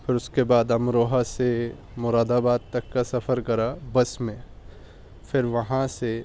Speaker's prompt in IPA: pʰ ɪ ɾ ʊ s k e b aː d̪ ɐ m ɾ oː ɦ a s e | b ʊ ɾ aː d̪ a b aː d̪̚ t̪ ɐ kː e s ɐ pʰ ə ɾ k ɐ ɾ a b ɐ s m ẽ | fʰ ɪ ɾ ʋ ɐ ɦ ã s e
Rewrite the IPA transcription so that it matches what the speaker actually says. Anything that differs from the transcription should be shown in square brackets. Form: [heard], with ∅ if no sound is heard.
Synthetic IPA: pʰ ɪ ɾ ʊ s k e b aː d̪ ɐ m ɾ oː ɦ a s e | [m] ʊ ɾ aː d̪ a b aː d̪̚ t̪ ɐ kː [a] s ɐ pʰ ə ɾ k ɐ ɾ a b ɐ s m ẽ | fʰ ɪ ɾ ʋ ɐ ɦ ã s e